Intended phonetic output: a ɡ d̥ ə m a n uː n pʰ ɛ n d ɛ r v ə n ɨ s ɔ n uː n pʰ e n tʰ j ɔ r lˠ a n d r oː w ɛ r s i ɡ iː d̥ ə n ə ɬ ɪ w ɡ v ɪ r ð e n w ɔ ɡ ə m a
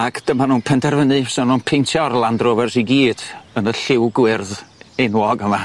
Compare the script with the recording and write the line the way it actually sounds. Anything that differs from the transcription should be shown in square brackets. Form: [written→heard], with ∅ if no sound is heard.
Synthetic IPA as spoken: a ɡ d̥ ə m a n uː n pʰ ɛ n d ɛ r v ə n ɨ s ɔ n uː n pʰ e n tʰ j ɔ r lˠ a n d r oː [w→v] ɛ r s i ɡ iː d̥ ə n ə ɬ ɪ w ɡ [v→w] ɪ r ð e n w ɔ ɡ ə m a